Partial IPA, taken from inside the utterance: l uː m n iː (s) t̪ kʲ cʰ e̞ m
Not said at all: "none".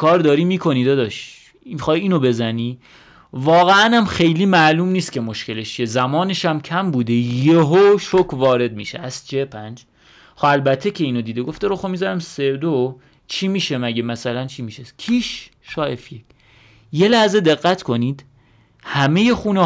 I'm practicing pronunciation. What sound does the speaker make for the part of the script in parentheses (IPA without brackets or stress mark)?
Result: s